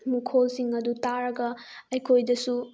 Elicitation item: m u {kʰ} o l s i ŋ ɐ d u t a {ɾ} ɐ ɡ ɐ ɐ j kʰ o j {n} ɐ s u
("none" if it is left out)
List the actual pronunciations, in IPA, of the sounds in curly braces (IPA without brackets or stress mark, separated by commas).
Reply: kʰ, ɾ, d